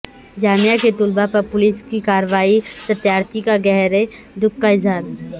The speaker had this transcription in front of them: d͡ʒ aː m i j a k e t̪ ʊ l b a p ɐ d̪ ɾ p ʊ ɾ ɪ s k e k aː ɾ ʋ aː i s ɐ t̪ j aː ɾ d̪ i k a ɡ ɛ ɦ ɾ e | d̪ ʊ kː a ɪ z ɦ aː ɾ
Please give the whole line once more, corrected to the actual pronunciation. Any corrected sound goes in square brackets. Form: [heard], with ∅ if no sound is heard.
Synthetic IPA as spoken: d͡ʒ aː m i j a k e t̪ ʊ l b a p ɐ [∅] ɾ p ʊ [l] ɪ s k [i] k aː ɾ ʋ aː i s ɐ t̪ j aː ɾ [t̪] i k a ɡ ɛ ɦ ɾ e | d̪ ʊ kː a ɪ z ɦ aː ɾ